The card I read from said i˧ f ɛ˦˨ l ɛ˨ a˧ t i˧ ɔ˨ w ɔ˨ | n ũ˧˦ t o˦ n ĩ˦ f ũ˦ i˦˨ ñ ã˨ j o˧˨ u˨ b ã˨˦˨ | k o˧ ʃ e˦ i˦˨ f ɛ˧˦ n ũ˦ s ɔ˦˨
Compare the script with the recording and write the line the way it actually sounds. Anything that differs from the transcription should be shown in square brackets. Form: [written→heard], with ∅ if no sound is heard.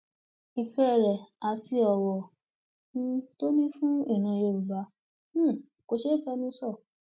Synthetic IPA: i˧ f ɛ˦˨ [l→ɾ] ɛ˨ a˧ t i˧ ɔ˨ w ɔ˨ | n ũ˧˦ t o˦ n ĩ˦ f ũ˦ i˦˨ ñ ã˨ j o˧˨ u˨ b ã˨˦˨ | k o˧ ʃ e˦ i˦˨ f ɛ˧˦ n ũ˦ s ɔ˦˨